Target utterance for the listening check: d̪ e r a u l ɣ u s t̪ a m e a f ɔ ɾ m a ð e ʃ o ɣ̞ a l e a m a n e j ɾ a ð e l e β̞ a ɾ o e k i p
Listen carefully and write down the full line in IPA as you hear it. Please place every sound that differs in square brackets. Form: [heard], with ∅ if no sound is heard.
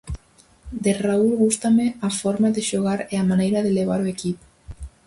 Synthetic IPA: d̪ e r a u l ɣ u s t̪ a m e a f ɔ ɾ m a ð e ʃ o ɣ̞ a [ɾ] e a m a n e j ɾ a ð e l e β̞ a ɾ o e k i p